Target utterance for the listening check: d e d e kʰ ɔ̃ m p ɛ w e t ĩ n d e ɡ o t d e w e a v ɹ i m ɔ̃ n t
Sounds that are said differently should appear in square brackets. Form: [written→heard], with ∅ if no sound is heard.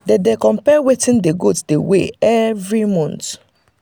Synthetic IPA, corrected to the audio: d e d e [kʰ→k] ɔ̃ m p ɛ w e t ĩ n d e ɡ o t d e w e [a→ɛ] v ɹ i m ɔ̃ n t